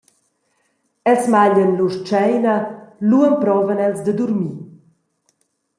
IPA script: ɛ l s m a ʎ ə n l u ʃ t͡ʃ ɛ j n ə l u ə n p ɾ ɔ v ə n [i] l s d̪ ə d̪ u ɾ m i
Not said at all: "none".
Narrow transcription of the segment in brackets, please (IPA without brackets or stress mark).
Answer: ɛ